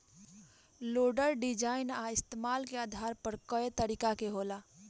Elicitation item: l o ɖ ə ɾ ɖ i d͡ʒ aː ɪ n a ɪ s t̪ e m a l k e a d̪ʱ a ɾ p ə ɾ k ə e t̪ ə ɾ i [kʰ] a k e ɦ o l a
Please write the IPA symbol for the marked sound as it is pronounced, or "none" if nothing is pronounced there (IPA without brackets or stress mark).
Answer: k